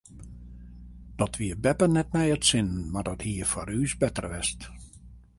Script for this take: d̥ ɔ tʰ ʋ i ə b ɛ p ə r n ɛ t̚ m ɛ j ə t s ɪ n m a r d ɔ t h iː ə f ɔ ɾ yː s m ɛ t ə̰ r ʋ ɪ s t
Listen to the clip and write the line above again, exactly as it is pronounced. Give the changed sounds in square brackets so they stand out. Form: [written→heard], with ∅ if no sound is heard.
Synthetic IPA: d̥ ɔ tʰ ʋ i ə b ɛ p ə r n ɛ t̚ m ɛ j ə t s ɪ n m a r d ɔ t h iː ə f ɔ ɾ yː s [m→b] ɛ t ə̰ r ʋ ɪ s t